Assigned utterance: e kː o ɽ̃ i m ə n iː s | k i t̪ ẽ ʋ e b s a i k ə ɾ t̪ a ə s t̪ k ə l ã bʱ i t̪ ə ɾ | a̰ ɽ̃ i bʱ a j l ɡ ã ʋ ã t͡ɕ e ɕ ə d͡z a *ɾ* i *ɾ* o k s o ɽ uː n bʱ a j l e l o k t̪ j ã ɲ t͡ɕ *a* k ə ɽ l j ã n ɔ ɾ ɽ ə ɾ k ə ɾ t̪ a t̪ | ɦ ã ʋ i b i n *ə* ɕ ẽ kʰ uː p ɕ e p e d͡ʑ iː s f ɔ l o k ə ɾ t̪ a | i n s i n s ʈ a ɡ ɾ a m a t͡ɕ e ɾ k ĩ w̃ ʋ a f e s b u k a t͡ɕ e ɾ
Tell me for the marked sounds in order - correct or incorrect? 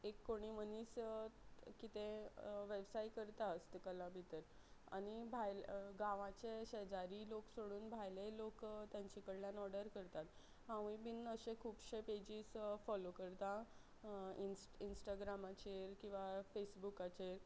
correct, incorrect: l, incorrect: i, correct

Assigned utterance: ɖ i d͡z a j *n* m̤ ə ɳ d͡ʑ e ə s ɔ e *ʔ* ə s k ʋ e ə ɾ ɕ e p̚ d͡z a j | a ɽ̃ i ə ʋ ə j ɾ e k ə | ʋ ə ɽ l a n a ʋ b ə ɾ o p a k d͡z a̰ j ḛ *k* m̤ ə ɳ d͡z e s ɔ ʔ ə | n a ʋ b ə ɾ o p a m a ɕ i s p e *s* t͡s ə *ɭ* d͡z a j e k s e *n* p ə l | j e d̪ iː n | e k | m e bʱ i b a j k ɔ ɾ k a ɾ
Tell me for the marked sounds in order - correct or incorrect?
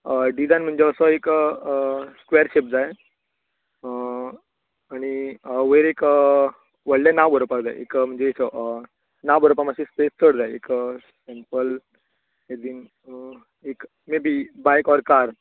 correct, incorrect: k, correct, correct, incorrect: ɽ, incorrect: m

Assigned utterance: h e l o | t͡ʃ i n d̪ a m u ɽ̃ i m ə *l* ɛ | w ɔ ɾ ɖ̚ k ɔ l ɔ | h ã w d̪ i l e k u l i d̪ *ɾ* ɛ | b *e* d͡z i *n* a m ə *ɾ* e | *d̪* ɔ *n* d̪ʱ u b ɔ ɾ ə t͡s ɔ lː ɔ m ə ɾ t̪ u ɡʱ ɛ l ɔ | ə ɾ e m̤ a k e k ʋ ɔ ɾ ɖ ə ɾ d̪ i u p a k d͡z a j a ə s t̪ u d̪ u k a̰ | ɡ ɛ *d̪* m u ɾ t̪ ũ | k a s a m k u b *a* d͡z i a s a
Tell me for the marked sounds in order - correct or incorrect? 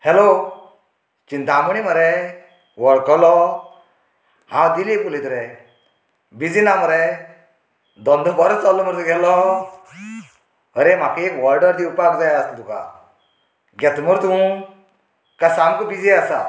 incorrect: ɾ, correct, incorrect: i, correct, correct, correct, correct, incorrect: t̪, incorrect: i

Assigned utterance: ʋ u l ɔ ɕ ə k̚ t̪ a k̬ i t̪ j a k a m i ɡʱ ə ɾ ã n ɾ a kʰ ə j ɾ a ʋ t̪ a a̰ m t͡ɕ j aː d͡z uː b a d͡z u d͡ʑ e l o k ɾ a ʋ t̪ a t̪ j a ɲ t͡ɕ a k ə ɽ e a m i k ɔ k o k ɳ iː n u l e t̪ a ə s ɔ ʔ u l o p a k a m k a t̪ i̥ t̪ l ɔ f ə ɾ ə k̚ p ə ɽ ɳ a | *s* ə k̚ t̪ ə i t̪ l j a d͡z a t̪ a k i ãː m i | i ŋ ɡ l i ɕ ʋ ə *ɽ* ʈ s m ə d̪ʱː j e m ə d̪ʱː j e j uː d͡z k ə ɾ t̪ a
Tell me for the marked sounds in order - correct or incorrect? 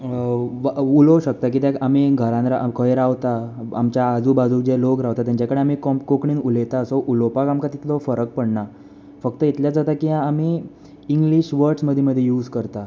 incorrect: f, incorrect: ɾ

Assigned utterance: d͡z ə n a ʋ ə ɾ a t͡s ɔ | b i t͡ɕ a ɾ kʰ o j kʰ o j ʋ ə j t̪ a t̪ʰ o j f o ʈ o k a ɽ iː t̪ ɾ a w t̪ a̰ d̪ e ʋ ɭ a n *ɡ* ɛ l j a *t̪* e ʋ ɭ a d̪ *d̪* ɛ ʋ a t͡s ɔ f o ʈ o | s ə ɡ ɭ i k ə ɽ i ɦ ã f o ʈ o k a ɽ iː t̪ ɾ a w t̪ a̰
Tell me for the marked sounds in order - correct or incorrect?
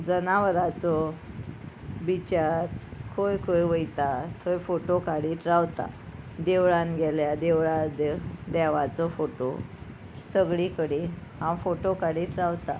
correct, incorrect: d̪, correct

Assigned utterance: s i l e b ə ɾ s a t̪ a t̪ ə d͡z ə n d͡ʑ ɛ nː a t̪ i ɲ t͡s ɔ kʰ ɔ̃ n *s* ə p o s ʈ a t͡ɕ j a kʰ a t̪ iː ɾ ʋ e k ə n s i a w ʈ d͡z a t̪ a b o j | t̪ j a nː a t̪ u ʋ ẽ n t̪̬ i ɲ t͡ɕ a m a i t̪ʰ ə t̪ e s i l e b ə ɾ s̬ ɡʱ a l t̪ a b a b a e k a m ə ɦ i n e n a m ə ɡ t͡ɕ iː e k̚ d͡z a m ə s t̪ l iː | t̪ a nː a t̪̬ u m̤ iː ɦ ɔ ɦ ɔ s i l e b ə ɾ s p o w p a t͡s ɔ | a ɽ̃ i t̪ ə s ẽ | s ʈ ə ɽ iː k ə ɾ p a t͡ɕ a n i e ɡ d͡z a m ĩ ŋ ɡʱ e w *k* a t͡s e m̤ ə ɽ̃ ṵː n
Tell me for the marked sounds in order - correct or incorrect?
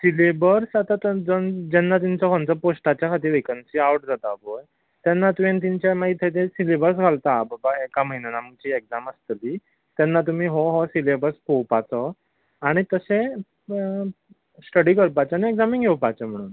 incorrect: t͡s, incorrect: p

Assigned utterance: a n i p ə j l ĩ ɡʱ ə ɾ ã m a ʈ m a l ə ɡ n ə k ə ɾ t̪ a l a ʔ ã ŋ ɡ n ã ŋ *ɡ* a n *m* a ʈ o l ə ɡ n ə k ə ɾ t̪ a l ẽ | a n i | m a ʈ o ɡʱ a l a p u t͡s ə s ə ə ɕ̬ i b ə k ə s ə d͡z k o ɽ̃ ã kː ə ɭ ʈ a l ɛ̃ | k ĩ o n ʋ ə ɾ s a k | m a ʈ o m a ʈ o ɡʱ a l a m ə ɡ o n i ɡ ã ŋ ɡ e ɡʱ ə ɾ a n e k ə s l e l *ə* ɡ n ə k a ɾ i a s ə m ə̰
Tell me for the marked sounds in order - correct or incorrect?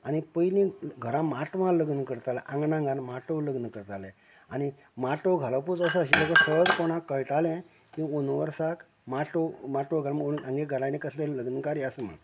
correct, correct, correct

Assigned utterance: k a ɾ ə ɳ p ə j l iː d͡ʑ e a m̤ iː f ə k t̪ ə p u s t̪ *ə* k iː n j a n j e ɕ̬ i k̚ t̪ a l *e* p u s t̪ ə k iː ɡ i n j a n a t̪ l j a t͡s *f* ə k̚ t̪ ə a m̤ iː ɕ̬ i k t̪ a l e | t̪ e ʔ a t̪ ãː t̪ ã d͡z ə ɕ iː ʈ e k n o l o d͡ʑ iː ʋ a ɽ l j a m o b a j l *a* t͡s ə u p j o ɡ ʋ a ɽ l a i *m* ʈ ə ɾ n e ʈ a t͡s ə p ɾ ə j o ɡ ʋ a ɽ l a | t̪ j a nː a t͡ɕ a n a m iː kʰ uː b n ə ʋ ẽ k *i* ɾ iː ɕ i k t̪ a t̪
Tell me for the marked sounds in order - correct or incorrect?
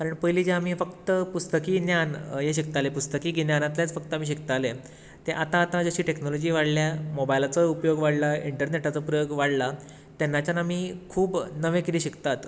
correct, correct, correct, correct, incorrect: ɳ, correct

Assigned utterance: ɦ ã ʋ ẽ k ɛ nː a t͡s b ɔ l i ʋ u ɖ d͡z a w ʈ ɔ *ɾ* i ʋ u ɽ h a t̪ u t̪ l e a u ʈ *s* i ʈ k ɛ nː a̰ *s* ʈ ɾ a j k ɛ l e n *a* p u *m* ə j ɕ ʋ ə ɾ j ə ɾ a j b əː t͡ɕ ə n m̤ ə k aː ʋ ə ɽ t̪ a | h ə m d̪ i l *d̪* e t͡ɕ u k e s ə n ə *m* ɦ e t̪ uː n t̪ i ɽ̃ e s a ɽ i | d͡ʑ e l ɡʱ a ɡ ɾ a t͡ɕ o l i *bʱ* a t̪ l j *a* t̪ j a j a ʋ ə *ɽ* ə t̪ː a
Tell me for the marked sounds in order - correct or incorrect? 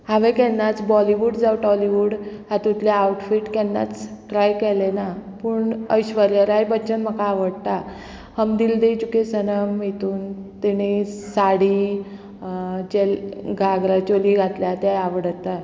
incorrect: l, incorrect: f, incorrect: t͡s, correct, incorrect: ɳ, correct, correct, incorrect: ɡʱ, correct, correct

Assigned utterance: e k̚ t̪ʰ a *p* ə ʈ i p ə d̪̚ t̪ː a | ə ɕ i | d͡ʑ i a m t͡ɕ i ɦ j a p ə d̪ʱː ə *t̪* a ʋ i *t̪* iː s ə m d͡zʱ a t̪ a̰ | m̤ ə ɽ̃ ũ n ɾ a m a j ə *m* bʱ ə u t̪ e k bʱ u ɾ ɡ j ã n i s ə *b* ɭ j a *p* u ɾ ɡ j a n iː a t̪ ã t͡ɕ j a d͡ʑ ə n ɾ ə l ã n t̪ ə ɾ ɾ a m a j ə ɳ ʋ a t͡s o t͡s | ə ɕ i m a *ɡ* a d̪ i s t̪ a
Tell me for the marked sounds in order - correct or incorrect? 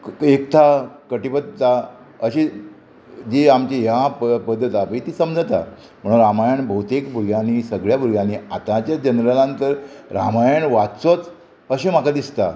incorrect: k, correct, correct, incorrect: ɳ, incorrect: ɡ, incorrect: b, incorrect: k

